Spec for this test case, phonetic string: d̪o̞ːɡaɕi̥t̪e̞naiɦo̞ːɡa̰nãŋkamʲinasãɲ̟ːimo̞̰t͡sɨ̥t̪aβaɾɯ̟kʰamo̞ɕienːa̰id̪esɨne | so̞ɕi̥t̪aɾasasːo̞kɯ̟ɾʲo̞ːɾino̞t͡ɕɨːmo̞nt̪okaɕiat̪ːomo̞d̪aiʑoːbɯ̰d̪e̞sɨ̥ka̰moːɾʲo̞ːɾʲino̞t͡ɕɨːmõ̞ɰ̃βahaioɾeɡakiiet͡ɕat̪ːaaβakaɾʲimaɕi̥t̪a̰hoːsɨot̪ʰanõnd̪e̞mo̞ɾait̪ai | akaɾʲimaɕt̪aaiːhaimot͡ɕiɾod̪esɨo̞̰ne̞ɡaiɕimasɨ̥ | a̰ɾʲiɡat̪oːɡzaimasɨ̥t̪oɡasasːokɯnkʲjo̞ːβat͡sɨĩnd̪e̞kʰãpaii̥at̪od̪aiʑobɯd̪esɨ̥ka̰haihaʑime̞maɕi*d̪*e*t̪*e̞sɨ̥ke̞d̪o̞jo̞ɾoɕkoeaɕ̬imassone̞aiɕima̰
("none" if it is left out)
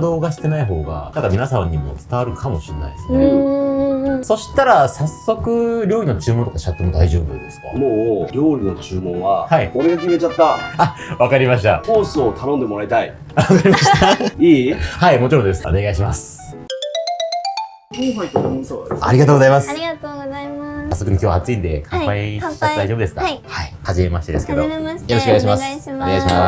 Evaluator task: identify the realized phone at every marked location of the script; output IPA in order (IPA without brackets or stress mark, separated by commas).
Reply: t̪, d̪